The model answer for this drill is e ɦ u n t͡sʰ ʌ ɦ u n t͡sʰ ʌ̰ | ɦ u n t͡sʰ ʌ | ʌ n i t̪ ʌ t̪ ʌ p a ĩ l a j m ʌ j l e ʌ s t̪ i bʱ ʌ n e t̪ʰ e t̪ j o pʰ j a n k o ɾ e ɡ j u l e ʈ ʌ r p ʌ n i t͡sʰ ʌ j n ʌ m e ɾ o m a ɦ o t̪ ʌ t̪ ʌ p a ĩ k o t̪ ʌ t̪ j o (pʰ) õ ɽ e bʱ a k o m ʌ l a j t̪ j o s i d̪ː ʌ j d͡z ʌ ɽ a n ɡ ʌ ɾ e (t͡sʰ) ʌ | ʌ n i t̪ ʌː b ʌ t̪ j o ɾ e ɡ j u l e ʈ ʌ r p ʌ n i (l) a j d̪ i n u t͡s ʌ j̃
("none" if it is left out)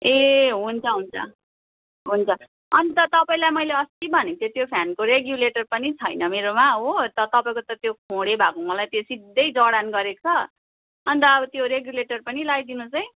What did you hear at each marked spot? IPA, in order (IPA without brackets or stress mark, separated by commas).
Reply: kʰ, t͡sʰ, l